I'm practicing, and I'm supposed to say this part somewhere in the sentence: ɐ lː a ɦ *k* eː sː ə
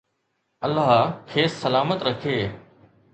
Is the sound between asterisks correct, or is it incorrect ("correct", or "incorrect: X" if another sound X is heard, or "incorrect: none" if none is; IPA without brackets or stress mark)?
incorrect: kʰ